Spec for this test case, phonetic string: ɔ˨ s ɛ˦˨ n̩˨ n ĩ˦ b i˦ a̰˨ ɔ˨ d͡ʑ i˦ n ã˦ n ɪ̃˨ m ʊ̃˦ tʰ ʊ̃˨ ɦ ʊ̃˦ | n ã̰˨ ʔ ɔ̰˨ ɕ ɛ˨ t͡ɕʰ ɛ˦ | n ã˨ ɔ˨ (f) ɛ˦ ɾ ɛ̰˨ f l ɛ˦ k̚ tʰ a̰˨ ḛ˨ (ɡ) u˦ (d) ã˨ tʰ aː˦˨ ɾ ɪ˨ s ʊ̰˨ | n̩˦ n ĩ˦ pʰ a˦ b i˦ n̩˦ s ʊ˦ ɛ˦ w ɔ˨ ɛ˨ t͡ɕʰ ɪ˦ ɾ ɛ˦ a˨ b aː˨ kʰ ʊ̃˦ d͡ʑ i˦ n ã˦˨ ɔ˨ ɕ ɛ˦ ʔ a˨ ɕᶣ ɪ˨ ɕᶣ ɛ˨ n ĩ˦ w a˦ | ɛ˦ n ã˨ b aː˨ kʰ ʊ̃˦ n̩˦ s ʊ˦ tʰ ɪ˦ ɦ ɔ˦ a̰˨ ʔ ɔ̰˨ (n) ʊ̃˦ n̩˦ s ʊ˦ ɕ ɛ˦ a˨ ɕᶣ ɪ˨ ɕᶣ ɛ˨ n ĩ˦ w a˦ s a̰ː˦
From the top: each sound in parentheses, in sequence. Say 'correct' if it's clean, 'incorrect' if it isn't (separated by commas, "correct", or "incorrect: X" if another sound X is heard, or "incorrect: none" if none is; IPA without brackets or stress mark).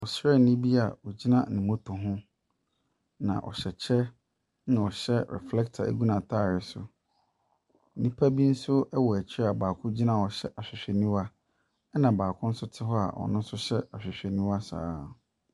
incorrect: ɕ, correct, incorrect: n, correct